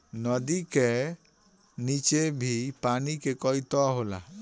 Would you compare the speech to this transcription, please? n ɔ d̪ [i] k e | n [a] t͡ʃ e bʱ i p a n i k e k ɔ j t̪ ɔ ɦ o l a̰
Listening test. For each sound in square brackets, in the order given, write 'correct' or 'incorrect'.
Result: correct, incorrect

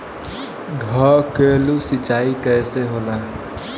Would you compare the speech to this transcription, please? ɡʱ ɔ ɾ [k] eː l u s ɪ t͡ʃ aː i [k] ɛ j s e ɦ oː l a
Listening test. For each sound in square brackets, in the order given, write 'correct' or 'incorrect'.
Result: correct, correct

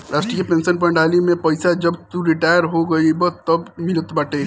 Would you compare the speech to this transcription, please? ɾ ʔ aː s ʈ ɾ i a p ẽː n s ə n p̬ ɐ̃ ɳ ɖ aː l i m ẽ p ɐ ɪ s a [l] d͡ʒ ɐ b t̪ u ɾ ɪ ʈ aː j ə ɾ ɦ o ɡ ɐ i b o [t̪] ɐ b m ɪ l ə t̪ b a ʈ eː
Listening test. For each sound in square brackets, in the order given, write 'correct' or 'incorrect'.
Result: incorrect, correct

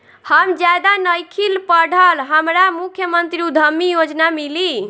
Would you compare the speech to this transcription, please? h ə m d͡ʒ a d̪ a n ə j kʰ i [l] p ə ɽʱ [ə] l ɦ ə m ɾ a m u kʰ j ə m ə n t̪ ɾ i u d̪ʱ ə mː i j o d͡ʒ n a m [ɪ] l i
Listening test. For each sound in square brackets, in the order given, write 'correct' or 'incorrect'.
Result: correct, correct, incorrect

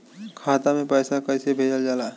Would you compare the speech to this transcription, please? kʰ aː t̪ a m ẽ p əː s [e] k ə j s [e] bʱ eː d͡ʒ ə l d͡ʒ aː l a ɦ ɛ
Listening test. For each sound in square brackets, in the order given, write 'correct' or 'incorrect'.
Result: incorrect, correct

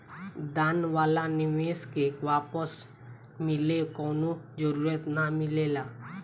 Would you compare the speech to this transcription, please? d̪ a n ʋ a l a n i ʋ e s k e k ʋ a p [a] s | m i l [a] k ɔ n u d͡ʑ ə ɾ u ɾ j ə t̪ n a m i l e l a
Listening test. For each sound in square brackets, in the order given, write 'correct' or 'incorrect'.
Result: incorrect, incorrect

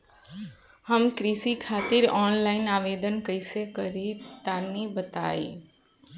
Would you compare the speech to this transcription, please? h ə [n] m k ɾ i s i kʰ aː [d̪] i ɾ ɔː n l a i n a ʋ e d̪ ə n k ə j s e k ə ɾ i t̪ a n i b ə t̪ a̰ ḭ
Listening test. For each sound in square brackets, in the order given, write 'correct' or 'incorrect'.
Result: incorrect, incorrect

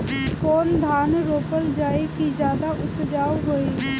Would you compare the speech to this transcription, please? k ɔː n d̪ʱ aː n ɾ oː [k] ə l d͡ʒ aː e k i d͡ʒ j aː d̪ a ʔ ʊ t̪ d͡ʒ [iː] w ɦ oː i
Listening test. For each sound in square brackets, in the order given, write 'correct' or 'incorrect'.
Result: incorrect, incorrect

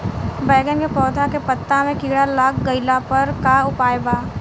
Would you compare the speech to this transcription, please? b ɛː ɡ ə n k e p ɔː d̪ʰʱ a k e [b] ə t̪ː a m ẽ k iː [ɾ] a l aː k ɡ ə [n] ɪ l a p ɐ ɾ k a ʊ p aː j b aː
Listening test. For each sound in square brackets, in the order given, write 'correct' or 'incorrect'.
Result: incorrect, incorrect, incorrect

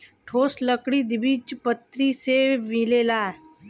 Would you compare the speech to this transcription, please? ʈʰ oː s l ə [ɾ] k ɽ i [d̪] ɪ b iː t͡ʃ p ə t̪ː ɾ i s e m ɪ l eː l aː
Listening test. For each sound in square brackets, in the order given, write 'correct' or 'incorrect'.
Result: incorrect, correct

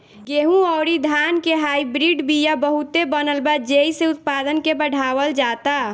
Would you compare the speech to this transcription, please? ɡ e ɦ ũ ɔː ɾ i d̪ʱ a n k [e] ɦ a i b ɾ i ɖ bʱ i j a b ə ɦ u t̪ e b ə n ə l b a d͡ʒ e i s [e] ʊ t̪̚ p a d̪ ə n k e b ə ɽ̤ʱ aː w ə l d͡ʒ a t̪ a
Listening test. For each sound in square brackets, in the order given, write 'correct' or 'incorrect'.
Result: correct, correct

